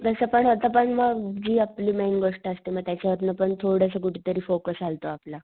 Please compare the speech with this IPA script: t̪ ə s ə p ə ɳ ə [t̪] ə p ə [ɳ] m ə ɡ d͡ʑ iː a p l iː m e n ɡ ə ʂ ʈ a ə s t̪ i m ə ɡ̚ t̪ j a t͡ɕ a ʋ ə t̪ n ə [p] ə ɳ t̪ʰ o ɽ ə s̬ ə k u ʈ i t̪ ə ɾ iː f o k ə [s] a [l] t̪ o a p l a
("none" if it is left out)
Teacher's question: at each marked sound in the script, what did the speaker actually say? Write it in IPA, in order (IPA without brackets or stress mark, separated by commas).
t̪, ɳ, p, s, l